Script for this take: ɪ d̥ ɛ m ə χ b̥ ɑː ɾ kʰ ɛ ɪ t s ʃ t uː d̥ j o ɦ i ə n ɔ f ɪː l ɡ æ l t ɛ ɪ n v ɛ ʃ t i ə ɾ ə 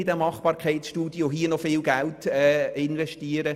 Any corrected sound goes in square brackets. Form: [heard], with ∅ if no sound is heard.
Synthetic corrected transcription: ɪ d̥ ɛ m [ɑ] χ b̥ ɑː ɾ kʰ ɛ ɪ t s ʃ t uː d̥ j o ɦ i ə n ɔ f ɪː l ɡ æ l t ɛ ɪ n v ɛ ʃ t i ə ɾ ə